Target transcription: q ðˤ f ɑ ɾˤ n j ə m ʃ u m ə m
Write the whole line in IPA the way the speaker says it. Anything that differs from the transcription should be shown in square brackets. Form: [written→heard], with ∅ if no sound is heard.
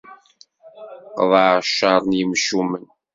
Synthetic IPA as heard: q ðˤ [f→ʃ] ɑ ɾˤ n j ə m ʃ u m ə [m→n]